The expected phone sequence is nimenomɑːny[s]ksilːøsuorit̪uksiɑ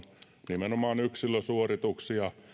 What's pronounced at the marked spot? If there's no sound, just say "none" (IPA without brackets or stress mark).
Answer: none